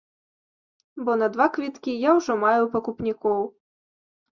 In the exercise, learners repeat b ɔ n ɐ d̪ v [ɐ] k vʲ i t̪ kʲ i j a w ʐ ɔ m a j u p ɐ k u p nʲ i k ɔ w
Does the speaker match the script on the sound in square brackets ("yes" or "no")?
no